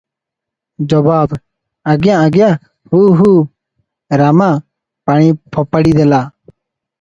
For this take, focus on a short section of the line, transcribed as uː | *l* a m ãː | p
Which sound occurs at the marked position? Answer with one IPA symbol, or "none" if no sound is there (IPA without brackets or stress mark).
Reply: ɾ